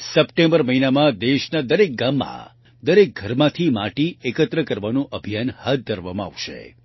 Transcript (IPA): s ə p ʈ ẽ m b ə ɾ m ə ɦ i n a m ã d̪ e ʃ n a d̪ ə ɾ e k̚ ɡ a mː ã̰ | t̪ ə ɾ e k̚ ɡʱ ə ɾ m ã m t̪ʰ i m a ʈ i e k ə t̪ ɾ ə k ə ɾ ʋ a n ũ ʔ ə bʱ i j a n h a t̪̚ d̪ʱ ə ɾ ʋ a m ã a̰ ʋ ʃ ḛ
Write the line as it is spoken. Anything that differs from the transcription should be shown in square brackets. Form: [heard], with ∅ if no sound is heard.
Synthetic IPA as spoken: s ə p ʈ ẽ m b ə ɾ m ə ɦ i n a m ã d̪ e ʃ n a d̪ ə ɾ e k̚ ɡ a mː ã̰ | [d̪] ə ɾ e k̚ ɡʱ ə ɾ m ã [∅] t̪ʰ i m a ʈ i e k ə t̪ ɾ ə k ə ɾ ʋ a n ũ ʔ ə bʱ i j a n h a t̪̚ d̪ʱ ə ɾ ʋ a m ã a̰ ʋ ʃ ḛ